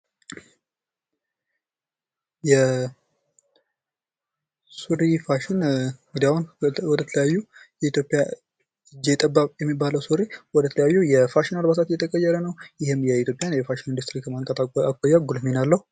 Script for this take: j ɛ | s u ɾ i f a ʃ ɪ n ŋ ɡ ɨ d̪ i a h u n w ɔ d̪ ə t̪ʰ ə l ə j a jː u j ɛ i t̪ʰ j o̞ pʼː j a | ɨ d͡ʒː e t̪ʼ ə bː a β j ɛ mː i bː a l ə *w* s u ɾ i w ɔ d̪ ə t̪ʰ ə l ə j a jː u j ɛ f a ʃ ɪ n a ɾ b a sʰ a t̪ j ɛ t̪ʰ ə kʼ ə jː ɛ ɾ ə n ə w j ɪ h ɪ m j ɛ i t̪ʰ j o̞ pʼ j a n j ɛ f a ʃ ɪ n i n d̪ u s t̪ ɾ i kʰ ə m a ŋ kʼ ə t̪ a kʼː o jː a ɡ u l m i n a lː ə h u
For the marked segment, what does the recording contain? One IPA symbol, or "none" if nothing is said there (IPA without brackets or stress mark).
w